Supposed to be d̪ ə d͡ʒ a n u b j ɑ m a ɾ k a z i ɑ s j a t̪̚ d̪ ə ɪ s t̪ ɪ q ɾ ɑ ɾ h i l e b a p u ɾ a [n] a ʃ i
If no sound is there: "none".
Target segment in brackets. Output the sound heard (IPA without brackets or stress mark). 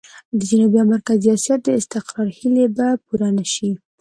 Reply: n